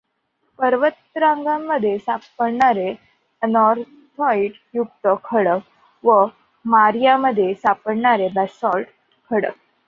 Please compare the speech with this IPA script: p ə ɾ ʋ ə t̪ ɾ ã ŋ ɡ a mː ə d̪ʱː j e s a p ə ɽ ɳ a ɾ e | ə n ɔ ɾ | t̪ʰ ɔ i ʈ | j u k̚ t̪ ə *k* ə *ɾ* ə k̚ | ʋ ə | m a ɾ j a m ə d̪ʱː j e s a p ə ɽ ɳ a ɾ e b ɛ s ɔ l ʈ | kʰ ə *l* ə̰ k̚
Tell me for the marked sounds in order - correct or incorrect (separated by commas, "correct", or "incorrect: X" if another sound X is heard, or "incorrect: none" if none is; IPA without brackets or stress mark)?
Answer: incorrect: kʰ, incorrect: ɽ, incorrect: ɽ